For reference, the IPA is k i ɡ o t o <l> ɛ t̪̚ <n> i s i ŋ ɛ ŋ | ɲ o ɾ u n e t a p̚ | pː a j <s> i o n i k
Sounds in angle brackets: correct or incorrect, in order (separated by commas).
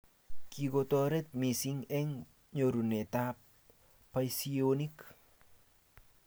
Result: incorrect, incorrect, correct